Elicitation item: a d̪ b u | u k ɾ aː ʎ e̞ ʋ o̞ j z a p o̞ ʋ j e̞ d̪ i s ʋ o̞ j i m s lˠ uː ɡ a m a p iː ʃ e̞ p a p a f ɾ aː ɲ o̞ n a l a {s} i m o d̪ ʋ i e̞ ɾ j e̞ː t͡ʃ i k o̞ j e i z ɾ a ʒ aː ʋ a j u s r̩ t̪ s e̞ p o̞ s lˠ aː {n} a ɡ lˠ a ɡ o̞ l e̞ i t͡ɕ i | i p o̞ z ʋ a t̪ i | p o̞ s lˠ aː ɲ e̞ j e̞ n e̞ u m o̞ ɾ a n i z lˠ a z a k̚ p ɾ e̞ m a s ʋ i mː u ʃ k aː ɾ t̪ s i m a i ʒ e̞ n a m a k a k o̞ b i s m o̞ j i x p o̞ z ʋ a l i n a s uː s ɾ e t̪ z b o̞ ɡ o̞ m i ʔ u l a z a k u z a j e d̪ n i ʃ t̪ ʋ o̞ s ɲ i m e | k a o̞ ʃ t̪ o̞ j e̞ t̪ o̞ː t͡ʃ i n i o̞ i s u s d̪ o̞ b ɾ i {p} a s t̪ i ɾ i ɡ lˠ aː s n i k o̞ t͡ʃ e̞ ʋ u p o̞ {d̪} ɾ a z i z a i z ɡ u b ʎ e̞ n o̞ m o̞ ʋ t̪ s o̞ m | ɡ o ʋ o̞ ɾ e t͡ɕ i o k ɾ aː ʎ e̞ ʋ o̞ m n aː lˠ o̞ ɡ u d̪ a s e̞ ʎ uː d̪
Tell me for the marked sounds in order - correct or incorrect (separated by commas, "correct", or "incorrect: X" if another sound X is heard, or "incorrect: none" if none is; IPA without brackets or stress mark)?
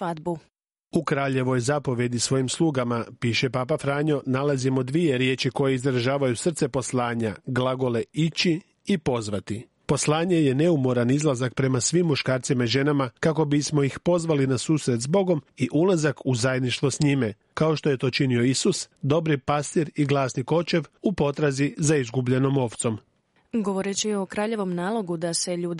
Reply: incorrect: z, incorrect: ɲ, correct, incorrect: t̪